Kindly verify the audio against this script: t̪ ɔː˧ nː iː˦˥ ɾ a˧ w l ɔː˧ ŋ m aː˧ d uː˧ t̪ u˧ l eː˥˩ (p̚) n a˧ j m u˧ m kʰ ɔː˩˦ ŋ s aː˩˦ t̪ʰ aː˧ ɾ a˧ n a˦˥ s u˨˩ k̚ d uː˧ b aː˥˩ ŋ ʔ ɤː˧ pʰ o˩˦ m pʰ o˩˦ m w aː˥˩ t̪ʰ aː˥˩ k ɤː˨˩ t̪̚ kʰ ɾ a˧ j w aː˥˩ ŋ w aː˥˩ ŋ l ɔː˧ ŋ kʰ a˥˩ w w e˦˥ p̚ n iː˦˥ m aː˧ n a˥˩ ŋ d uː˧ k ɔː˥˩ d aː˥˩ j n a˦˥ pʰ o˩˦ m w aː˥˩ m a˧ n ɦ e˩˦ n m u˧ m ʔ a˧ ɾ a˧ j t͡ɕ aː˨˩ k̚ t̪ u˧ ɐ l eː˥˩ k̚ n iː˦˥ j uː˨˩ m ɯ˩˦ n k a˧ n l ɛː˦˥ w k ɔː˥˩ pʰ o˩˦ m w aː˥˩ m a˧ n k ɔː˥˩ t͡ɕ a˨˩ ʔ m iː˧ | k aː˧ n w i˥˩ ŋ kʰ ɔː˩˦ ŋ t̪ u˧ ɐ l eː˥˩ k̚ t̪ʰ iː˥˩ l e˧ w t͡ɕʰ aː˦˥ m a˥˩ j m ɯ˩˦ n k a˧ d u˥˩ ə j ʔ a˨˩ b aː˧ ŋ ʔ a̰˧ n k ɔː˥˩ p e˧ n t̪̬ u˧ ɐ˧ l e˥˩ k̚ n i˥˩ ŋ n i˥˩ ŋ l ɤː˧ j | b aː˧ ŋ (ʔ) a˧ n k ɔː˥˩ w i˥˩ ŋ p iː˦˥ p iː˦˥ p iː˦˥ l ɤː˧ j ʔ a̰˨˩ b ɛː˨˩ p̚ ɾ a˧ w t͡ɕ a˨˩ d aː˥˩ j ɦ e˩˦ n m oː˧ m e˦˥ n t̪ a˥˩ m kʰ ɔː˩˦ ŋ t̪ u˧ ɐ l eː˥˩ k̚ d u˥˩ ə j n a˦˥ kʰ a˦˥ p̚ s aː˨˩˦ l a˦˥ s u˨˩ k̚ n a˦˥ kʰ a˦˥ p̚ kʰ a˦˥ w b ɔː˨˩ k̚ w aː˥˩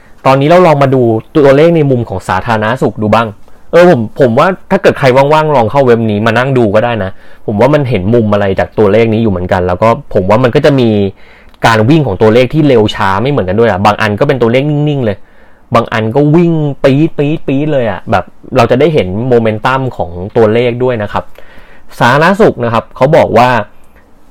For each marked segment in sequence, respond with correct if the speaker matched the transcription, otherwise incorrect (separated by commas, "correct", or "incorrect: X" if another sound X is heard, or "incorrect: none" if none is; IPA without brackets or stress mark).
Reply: incorrect: k̚, correct